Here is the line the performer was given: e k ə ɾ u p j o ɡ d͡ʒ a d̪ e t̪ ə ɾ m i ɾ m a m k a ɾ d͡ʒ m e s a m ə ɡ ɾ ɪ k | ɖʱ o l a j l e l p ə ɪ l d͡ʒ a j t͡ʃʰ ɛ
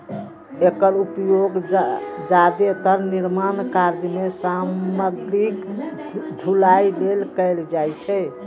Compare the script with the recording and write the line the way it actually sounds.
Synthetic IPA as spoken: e k ə ɾ u p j o ɡ d͡ʒ a d̪ e t̪ ə ɾ n i ɾ m a n k a ɾ d͡ʒ m e s a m ə ɡ ɾ i k | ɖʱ u l a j l e l k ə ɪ l d͡ʒ a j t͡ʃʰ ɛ